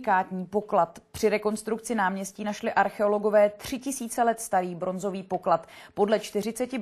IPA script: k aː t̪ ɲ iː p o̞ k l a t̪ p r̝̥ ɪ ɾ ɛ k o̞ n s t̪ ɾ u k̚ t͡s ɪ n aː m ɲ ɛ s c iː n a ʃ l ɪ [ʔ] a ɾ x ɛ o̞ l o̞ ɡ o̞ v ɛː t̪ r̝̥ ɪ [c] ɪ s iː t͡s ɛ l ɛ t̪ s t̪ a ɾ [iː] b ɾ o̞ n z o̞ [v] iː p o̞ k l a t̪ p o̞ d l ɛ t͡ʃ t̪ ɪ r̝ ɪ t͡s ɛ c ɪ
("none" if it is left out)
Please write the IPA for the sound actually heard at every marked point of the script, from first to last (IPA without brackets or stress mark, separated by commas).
ʔ, c, iː, v